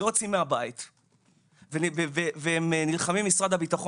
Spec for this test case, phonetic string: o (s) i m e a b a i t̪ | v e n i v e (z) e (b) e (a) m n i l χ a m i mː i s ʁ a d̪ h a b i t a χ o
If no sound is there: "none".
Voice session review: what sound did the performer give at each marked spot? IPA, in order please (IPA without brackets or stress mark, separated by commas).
t͡s, v, v, e